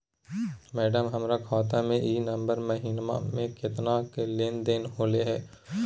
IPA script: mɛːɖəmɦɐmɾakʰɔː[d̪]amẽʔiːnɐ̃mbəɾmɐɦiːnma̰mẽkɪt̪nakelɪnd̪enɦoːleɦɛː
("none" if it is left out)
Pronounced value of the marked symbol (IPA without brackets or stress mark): t̪